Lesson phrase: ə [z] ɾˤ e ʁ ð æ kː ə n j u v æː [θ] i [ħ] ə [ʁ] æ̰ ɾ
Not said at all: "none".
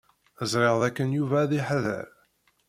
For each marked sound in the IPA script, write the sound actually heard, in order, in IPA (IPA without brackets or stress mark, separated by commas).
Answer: z, ð, ħ, ð